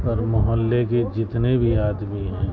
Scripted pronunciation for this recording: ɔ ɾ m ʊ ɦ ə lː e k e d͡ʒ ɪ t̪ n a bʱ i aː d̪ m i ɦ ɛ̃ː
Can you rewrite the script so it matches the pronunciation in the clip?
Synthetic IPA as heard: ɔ ɾ m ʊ ɦ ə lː e k e d͡ʒ ɪ t̪ n e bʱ i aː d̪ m i ɦ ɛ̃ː